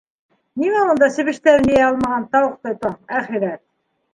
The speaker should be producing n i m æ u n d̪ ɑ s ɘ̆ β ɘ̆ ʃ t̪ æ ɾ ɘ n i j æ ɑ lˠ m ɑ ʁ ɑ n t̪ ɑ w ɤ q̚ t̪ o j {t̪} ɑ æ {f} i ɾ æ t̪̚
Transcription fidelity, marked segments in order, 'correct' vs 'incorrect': correct, incorrect: χ

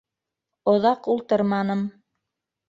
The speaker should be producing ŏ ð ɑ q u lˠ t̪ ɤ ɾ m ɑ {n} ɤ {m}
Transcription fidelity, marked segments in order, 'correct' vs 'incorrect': correct, correct

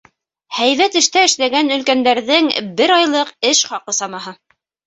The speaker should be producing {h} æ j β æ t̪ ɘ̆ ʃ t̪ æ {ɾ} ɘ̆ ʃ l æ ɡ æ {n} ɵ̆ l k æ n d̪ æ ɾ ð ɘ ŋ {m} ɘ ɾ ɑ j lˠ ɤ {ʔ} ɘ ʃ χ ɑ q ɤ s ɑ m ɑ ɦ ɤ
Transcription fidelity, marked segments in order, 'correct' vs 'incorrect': correct, incorrect: none, correct, incorrect: b, incorrect: q

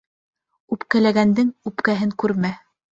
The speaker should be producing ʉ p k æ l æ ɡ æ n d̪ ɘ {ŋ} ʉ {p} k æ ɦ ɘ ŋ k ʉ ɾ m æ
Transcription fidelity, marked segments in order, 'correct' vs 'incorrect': correct, correct

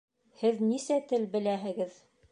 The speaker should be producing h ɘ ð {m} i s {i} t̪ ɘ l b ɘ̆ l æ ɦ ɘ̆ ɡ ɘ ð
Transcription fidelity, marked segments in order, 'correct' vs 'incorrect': incorrect: n, incorrect: æ

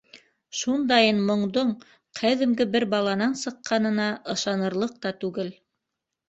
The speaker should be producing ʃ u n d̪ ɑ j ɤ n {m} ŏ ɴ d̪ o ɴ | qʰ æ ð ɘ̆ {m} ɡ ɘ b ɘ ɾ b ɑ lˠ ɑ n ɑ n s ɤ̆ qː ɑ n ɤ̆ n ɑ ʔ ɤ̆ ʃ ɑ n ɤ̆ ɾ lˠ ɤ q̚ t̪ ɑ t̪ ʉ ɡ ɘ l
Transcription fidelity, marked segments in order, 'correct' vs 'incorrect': correct, correct

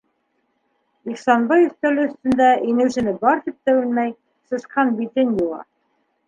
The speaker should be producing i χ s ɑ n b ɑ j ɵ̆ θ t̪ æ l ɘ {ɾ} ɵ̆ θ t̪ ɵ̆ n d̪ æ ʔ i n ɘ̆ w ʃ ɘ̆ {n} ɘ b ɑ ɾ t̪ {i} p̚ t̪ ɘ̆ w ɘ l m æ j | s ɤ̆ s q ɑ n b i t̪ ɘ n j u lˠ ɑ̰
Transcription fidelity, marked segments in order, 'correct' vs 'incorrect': incorrect: none, correct, correct

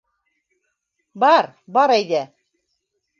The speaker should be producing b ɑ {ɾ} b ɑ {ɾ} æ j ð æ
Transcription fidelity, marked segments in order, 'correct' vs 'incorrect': correct, correct

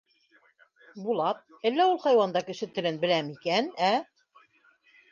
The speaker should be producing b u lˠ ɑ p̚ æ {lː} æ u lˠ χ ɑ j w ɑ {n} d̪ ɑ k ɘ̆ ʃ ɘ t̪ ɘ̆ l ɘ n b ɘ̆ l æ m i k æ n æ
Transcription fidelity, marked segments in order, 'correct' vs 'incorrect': correct, correct

